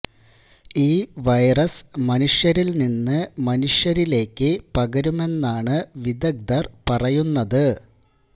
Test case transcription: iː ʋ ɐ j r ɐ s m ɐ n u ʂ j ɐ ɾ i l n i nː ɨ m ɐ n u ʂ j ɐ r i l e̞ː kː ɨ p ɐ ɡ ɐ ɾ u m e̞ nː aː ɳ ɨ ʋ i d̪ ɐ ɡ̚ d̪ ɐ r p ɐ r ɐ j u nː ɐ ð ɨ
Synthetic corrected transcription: iː ʋ ɐ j r ɐ s m ɐ n u ʂ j ɐ ɾ i l n i nː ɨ m ɐ n u ʂ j ɐ ɾ i l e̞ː kː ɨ p ɐ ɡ ɐ ɾ u m e̞ nː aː ɳ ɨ ʋ i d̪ ɐ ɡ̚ d̪ ɐ r p ɐ r ɐ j u nː ɐ ð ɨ

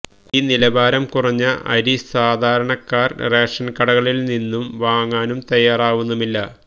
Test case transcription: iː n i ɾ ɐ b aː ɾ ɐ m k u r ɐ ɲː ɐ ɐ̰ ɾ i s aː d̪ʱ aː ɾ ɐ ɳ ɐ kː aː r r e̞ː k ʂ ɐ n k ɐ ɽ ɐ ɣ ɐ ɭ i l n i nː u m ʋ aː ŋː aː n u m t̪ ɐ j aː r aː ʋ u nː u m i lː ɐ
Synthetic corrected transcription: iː n i l ɐ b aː ɾ ɐ m k u r ɐ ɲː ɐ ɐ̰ ɾ i s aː d̪ʱ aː ɾ ɐ ɳ ɐ kː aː r r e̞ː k ʂ ɐ n k ɐ ɽ ɐ ɣ ɐ ɭ i l n i nː u m ʋ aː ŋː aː n u m t̪ ɐ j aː r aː ʋ u nː u m i lː ɐ

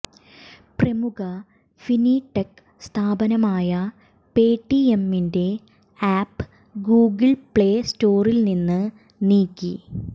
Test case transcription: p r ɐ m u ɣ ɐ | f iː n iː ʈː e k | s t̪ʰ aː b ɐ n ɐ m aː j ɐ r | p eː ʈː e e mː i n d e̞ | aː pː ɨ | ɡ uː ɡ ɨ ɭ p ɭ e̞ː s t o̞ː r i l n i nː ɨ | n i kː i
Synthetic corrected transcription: p r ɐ m u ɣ ɐ | f i n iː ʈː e k | s t̪ʰ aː b ɐ n ɐ m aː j ɐ | p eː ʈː i e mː i n d e̞ | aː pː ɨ | ɡ uː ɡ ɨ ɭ p ɭ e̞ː s t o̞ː r i l n i nː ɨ | n iː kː i

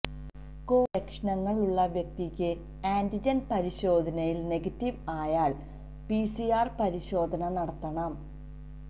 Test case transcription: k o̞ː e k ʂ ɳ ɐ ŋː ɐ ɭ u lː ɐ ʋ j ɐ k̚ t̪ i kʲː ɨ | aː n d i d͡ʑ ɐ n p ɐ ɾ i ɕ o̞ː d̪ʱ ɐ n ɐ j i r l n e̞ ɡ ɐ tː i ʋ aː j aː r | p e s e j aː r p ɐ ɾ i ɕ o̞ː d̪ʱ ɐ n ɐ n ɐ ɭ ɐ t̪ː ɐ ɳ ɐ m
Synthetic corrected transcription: k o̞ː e k ʂ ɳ ɐ ŋː ɐ ɭ u ɭː ɐ ʋ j ɐ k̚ t̪ i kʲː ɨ | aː n d i d͡ʑ ɐ n p ɐ ɾ i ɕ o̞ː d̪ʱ ɐ n ɐ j i l n e̞ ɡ ɐ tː i ʋ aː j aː ɭ | p i s i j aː r p ɐ ɾ i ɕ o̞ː d̪ʱ ɐ n ɐ n ɐ ɽ ɐ t̪ː ɐ ɳ ɐ m

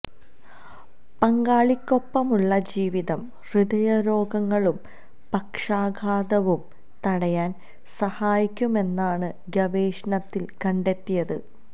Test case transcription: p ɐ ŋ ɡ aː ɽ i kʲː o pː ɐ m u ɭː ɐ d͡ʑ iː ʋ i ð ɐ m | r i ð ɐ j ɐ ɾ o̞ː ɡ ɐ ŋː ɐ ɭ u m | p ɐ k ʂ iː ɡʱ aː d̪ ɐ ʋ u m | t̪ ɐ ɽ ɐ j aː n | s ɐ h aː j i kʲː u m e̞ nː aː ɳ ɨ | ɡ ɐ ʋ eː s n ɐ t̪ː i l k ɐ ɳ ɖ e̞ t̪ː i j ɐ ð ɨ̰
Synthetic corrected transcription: p ɐ ŋ ɡ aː ɭ i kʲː o pː ɐ m u ɭː ɐ d͡ʑ iː ʋ i ð ɐ m | r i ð ɐ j ɐ ɾ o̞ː ɡ ɐ ŋː ɐ ɭ u m | p ɐ k ʂ aː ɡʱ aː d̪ ɐ ʋ u m | t̪ ɐ ɽ ɐ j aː n | s ɐ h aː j i kʲː u m e̞ nː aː ɳ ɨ | ɡ ɐ ʋ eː ʂ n ɐ t̪ː i l k ɐ ɳ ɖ e̞ t̪ː i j ɐ ð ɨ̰

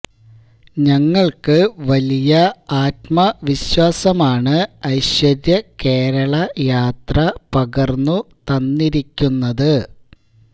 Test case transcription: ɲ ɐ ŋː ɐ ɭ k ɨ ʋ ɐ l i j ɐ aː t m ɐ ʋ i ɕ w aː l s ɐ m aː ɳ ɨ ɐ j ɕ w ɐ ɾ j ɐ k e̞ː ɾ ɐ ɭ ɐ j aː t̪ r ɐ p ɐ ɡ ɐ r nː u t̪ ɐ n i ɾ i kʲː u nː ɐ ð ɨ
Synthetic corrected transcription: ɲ ɐ ŋː ɐ ɭ k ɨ ʋ ɐ l i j ɐ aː t m ɐ ʋ i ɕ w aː s ɐ m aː ɳ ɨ ɐ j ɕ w ɐ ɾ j ɐ k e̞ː ɾ ɐ ɭ ɐ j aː t̪ r ɐ p ɐ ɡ ɐ r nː u t̪ ɐ nː i ɾ i kʲː u nː ɐ ð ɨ

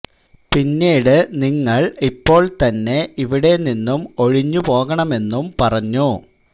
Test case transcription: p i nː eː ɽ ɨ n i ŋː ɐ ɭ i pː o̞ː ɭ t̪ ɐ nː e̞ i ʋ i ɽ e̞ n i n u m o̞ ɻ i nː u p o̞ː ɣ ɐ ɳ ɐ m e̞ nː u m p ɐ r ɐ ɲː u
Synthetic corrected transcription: p i nː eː ɽ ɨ n i ŋː ɐ ɭ i pː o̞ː ɭ t̪ ɐ nː e̞ i ʋ i ɽ e̞ n i nː u m o̞ ɻ i ɲː u p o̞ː ɣ ɐ ɳ ɐ m e̞ nː u m p ɐ r ɐ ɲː u

